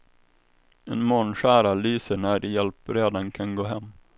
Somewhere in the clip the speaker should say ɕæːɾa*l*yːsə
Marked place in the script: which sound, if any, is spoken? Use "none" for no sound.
l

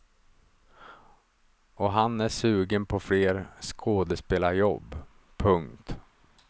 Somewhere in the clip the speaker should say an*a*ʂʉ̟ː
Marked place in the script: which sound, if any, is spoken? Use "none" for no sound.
æ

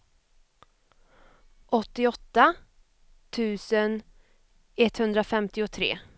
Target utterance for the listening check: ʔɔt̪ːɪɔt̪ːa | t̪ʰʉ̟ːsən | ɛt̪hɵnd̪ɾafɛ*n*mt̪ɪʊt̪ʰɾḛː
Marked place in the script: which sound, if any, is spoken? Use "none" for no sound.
none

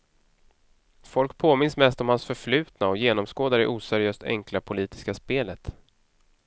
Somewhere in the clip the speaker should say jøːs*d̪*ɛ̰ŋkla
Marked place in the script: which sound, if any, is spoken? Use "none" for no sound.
t̪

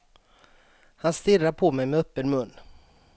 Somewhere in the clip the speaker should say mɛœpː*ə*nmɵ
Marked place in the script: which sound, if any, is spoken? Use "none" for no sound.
ə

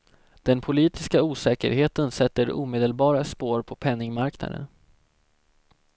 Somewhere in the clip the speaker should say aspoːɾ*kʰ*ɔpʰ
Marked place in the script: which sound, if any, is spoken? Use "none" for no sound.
pʰ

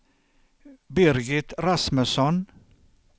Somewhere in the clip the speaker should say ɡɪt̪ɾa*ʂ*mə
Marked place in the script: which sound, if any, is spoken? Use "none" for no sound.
s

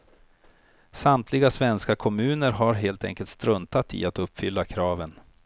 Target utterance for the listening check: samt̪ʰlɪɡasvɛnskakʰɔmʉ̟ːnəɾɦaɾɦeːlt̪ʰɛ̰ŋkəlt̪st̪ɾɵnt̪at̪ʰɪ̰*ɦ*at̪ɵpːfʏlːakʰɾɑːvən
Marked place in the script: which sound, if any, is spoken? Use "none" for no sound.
none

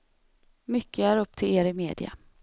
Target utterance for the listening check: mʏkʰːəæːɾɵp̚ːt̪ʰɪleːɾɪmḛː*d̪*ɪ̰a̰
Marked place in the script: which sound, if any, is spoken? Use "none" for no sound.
d̪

